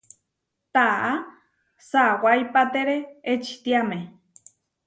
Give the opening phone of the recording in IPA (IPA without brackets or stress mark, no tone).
t̪